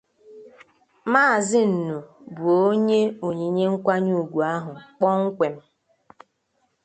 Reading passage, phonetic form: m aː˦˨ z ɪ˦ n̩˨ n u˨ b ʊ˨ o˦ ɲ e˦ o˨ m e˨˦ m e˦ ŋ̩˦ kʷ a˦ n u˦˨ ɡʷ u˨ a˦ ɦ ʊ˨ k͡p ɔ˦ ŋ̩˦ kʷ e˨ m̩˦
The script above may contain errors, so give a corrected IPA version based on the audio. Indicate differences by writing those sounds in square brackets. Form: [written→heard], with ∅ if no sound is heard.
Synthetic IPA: m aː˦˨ z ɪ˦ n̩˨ n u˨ b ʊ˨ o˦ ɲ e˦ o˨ [m→ɲ] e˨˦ [m→ɲ] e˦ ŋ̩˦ kʷ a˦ [n→ɲ] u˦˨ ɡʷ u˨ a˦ ɦ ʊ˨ k͡p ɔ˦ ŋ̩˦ kʷ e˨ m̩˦